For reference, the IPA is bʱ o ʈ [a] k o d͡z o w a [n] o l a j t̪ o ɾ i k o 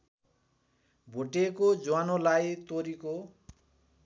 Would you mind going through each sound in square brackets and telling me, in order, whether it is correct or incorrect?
incorrect: e, correct

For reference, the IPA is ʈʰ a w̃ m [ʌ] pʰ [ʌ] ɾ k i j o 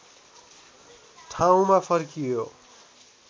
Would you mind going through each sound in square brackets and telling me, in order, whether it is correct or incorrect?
incorrect: a, correct

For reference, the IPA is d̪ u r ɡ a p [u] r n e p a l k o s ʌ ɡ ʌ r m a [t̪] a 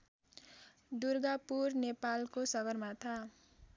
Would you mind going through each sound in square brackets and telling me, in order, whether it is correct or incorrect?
correct, incorrect: t̪ʰ

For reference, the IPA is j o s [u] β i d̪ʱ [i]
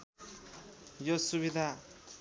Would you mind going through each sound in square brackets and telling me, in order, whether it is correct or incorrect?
correct, incorrect: a

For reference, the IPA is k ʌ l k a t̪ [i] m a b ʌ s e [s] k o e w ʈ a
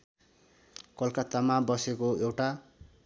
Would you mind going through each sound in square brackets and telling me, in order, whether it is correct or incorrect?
incorrect: a, incorrect: none

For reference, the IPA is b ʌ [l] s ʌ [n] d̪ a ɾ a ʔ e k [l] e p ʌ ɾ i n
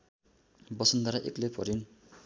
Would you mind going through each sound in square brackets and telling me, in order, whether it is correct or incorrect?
incorrect: none, correct, correct

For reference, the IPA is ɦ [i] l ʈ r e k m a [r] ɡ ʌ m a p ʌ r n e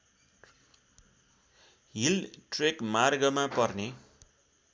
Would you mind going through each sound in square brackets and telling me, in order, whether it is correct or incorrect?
correct, correct

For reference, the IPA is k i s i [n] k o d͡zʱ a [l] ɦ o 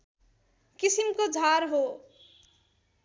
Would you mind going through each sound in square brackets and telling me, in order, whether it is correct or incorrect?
incorrect: m, incorrect: ɾ

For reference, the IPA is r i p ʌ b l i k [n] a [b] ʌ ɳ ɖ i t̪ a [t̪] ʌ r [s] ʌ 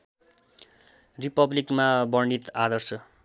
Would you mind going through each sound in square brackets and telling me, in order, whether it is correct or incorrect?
incorrect: m, correct, incorrect: d̪, correct

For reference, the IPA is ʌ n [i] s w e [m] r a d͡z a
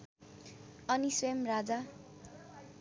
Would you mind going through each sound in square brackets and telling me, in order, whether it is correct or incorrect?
correct, correct

